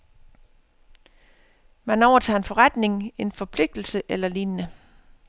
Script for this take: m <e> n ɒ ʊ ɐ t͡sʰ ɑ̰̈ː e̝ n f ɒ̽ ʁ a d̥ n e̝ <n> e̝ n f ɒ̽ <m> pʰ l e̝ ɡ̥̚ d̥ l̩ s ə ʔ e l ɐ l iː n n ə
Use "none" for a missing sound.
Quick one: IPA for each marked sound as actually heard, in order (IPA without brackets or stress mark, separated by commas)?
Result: æ, ŋ, none